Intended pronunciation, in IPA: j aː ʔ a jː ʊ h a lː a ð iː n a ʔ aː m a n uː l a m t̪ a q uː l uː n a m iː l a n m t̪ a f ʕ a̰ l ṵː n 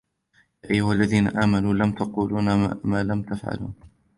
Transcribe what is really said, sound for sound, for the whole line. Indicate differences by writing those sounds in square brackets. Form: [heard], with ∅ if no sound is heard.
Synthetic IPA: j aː ʔ a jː ʊ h a lː a ð iː n a ʔ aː m a n uː l a m t̪ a q uː l uː n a m [aː] l a [∅] m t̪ a f ʕ a̰ l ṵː n